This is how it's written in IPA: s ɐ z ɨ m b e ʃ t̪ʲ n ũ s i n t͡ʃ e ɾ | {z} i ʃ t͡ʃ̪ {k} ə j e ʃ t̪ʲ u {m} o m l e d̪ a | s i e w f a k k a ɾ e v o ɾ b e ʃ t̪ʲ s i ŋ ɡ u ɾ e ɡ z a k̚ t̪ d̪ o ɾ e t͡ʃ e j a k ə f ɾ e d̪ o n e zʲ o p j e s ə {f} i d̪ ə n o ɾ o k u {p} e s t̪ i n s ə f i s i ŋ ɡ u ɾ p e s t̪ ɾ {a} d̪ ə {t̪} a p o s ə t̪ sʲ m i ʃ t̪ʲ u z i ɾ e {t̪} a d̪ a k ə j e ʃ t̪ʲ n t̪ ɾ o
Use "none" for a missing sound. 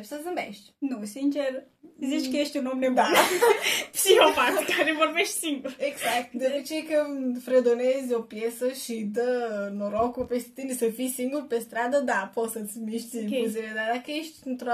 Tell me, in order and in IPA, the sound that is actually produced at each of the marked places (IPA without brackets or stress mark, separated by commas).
z, k, n, ʃ, p, a, d̪, d̪